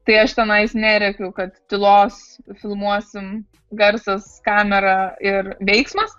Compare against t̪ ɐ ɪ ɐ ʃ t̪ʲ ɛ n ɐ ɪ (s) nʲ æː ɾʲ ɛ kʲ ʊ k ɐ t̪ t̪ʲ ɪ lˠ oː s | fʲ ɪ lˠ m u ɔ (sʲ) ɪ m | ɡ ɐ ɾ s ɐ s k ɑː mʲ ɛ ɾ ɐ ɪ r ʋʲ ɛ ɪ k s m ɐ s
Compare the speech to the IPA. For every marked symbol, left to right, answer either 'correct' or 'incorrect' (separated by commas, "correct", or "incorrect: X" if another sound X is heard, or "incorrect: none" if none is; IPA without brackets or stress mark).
correct, correct